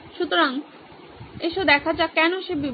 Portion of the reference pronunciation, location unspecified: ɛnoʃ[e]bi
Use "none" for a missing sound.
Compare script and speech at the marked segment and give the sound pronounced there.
e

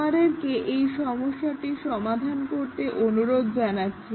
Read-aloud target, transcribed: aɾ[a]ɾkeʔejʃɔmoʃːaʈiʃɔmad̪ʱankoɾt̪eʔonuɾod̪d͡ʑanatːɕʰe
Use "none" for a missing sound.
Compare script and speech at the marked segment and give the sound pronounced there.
e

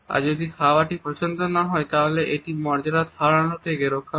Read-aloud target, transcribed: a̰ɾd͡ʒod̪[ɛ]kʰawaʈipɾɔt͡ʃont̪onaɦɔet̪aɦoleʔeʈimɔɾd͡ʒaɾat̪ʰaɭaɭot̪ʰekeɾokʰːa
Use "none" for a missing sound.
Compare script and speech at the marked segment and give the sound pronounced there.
i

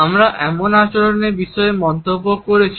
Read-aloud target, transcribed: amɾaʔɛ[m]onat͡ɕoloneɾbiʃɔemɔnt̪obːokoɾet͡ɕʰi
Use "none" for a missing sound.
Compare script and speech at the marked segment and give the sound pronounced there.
m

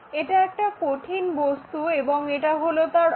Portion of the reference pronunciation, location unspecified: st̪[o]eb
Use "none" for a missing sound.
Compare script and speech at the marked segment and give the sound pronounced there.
u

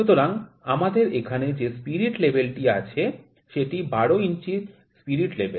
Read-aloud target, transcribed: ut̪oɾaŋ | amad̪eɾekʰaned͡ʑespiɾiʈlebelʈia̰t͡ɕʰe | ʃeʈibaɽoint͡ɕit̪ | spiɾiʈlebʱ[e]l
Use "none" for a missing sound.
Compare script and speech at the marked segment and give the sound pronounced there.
e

